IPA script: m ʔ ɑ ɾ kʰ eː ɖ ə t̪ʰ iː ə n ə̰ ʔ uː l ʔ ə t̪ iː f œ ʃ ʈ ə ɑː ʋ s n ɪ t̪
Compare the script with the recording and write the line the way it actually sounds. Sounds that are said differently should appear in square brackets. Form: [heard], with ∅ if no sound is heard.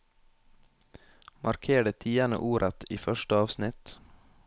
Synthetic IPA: m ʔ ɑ ɾ kʰ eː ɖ ə t̪ʰ iː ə n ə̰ ʔ uː [ɾ] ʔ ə t̪ iː f œ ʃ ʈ ə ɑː ʋ s n ɪ t̪